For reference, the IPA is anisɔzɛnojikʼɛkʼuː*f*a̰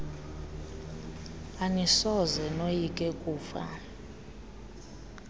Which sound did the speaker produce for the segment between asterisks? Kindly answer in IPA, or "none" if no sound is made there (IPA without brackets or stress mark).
f